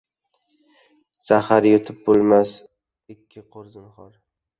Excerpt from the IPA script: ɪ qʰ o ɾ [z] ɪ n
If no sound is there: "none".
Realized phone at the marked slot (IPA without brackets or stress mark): z